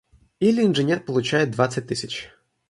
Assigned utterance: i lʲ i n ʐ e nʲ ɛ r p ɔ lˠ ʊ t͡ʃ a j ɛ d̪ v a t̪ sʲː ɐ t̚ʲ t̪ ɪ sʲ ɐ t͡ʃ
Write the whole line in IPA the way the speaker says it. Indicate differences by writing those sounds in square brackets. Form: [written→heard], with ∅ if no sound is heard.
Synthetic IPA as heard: i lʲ i n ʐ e nʲ ɛ r p ɔ lˠ ʊ t͡ʃ a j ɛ d̪ [v→ʋ] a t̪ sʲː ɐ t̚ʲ t̪ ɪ sʲ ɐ t͡ʃ